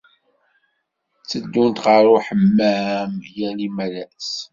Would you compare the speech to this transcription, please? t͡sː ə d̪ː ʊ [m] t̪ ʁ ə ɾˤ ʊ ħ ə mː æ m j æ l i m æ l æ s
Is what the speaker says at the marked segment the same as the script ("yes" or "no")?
no